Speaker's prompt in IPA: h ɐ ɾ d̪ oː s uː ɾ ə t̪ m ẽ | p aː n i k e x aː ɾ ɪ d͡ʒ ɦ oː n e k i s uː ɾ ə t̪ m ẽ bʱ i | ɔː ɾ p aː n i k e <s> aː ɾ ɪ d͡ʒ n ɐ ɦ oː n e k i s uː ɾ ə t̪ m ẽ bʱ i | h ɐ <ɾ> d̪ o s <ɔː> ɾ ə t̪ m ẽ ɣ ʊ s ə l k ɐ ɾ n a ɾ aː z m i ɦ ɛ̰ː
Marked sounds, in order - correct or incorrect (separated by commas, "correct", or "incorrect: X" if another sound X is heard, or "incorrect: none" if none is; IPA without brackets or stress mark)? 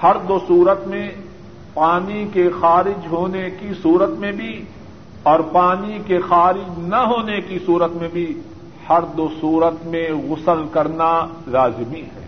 incorrect: x, correct, incorrect: uː